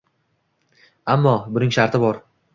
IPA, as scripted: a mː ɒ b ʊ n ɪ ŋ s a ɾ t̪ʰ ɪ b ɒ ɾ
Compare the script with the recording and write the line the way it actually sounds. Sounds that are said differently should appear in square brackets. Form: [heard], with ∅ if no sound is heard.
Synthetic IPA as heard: a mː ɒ b ʊ n ɪ ŋ [ʃ] a ɾ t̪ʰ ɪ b ɒ ɾ